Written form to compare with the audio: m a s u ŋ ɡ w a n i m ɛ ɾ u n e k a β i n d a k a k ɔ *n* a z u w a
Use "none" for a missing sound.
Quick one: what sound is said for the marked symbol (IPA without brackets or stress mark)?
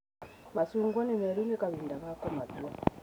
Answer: m